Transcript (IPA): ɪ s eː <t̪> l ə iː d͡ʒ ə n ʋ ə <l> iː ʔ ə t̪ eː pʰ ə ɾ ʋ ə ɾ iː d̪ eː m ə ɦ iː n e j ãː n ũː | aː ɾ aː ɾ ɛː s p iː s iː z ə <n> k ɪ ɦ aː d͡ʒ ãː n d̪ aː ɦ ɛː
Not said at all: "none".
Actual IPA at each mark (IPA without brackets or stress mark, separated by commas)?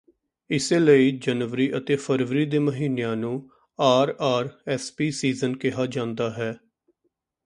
none, ɾ, n